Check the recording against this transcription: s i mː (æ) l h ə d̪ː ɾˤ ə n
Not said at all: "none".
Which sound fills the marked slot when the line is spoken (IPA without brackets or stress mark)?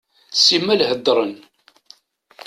æ